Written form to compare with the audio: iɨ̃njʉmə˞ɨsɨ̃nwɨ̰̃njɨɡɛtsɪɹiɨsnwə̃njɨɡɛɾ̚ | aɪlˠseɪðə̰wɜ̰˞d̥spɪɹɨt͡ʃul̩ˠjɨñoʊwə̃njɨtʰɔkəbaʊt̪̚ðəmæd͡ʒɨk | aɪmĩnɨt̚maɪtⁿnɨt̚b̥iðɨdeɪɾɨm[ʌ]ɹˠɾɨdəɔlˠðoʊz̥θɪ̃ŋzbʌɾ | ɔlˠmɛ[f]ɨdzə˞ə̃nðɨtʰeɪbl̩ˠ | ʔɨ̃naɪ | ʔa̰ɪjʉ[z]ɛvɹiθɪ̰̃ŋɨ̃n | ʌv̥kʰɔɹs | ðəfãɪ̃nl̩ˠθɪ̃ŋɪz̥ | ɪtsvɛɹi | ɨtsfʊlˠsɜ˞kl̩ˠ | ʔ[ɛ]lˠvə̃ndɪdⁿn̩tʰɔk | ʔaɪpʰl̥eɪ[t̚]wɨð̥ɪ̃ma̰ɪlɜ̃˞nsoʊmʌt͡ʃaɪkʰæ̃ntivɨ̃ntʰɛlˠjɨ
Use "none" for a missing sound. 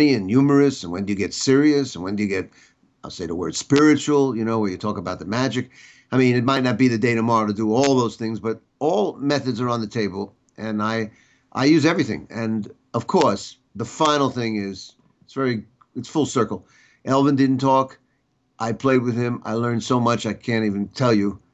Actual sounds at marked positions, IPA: ɑ, θ, z, ɛ, d̚

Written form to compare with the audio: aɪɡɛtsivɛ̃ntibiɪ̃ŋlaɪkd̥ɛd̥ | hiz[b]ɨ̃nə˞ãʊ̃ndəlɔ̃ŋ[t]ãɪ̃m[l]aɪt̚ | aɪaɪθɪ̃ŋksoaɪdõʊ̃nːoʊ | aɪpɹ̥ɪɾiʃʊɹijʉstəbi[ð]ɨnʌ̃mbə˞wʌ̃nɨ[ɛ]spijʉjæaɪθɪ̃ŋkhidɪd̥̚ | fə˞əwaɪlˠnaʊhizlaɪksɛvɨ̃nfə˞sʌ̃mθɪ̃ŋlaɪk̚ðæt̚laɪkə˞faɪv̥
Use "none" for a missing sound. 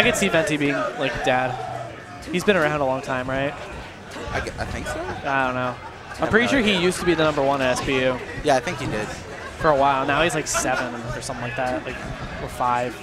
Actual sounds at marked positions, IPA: b, tʰ, ɹ, ð, ɛ

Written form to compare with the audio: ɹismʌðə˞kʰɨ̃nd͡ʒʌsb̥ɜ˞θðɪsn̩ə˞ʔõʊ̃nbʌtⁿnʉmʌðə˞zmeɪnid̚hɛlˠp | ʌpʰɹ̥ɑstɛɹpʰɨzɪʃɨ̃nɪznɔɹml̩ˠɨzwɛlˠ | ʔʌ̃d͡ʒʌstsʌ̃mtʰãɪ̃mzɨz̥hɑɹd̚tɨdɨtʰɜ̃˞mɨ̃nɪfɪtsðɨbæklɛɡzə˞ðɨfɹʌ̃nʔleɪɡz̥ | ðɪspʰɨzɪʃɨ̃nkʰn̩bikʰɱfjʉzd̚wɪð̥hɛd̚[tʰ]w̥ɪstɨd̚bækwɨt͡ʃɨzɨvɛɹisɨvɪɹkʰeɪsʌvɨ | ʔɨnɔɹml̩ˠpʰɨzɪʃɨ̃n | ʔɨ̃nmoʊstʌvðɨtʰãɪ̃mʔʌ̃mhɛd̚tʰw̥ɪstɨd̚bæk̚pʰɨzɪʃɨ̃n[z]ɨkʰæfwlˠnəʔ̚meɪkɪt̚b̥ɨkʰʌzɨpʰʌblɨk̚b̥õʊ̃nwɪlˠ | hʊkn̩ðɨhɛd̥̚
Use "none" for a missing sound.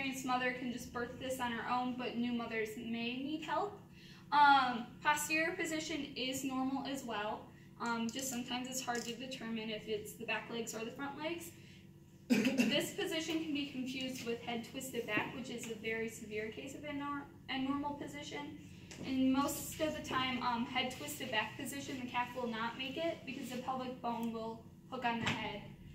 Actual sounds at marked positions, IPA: tʰ, ð

